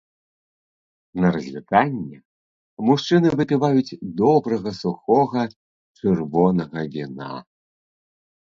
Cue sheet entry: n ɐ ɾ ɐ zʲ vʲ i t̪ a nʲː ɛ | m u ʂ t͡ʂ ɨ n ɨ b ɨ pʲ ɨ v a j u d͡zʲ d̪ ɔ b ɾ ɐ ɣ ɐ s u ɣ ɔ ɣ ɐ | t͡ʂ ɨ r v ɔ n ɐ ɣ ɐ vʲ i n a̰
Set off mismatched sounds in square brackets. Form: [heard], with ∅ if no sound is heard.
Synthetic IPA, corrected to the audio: n ɐ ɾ ɐ zʲ vʲ i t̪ a nʲː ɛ | m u ʂ t͡ʂ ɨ n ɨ [v] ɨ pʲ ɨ v a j u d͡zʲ d̪ ɔ b ɾ ɐ ɣ ɐ s u [x] ɔ ɣ ɐ | t͡ʂ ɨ r v ɔ n ɐ ɣ ɐ vʲ i n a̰